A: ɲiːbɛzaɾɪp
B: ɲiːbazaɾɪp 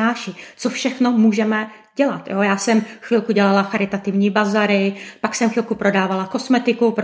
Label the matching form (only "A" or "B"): B